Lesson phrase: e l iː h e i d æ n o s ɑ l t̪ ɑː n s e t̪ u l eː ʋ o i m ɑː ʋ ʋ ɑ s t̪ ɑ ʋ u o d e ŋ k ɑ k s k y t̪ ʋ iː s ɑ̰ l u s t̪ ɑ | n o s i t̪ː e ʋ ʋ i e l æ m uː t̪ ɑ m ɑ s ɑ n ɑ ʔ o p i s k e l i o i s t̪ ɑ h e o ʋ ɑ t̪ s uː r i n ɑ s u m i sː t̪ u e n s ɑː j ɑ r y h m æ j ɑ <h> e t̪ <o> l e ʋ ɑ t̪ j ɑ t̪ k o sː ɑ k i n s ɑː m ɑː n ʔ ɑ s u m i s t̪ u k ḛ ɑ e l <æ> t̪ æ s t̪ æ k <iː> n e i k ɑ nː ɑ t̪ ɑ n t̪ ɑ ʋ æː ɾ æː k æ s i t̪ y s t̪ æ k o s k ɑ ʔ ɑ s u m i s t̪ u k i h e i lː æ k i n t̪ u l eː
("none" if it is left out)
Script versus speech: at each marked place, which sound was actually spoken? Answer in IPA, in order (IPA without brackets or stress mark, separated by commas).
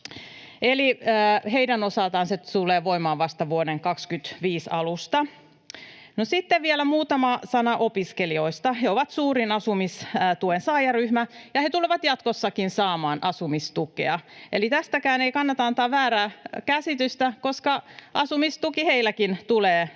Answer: h, u, i, æː